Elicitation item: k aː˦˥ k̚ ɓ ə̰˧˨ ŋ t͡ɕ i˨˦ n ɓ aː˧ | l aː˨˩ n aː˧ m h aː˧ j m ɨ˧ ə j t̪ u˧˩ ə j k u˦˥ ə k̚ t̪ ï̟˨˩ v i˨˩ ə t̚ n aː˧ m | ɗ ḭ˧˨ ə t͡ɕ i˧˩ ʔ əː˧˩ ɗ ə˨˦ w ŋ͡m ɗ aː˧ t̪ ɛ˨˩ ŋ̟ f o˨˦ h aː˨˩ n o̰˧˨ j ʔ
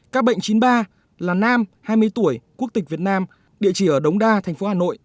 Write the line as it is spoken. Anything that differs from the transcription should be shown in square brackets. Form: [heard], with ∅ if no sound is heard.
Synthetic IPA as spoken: k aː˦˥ k̚ ɓ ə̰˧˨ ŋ t͡ɕ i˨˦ n ɓ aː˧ | l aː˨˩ n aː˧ m h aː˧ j m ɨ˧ ə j t̪ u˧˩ ə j k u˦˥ ə k̚ t̪ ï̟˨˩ v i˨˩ ə t̚ n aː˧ m | ɗ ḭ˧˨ ə t͡ɕ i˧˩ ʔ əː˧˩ ɗ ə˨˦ w ŋ͡m ɗ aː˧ [t̪ʰ] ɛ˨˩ ŋ̟ f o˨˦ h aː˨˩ n o̰˧˨ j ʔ

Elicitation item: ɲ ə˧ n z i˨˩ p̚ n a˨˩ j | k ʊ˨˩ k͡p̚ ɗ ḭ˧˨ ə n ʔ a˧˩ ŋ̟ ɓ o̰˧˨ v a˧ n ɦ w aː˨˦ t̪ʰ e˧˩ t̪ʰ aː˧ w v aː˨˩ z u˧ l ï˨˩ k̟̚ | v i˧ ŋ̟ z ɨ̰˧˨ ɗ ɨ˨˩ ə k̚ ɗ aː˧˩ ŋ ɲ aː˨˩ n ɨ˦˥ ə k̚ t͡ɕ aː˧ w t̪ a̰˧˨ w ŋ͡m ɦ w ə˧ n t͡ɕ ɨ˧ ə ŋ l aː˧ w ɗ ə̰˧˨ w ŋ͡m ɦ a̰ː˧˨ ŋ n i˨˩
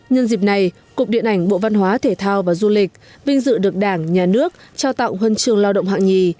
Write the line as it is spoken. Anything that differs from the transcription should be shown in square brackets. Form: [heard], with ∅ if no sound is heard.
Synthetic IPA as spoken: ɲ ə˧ n z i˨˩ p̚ n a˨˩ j | k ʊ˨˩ k͡p̚ ɗ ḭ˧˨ ə n ʔ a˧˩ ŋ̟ ɓ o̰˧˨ v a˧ n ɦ w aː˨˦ t̪ʰ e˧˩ t̪ʰ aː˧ w v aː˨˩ z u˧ l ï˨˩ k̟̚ | v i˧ ŋ̟ z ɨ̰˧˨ ɗ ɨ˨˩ ə k̚ ɗ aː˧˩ ŋ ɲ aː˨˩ n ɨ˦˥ ə k̚ t͡ɕ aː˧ w t̪ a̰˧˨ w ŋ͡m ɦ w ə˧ n t͡ɕ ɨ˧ ə ŋ l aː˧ w ɗ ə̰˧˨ w ŋ͡m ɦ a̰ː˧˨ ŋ [ɲ] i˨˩

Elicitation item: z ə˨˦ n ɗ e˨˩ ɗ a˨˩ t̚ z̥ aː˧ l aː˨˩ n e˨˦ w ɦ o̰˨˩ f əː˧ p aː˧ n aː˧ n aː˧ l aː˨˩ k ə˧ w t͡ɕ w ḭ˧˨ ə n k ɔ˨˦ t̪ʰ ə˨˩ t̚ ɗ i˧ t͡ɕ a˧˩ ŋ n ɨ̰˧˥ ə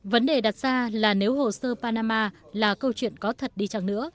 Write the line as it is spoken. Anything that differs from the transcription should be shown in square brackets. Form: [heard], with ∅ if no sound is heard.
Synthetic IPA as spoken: [v] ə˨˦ n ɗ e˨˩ ɗ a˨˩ t̚ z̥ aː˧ l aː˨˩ n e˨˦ w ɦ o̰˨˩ [s] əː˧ p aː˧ n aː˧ [m] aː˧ l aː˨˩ k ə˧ w t͡ɕ w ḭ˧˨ ə n k ɔ˨˦ t̪ʰ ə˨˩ t̚ ɗ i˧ t͡ɕ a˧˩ ŋ n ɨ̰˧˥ ə

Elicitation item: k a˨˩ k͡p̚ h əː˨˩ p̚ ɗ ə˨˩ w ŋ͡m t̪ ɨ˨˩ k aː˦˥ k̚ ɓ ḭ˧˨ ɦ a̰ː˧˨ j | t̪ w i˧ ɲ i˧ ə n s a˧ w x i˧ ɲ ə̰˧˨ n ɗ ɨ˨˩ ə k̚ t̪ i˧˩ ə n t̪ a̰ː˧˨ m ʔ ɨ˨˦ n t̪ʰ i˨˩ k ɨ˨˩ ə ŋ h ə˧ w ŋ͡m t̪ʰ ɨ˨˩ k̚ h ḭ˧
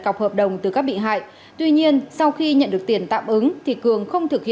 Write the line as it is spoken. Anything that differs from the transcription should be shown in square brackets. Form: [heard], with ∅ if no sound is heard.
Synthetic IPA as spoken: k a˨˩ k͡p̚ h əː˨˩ p̚ ɗ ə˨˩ w ŋ͡m t̪ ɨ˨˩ k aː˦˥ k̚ ɓ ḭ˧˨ ɦ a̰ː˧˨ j | t̪ w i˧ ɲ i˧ ə n s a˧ w x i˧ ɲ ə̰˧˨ n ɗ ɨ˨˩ ə k̚ t̪ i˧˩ ə n t̪ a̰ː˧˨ m ʔ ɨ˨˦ [ŋ] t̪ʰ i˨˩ k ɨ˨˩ ə ŋ [x] ə˧ w ŋ͡m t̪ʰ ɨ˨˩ k̚ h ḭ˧

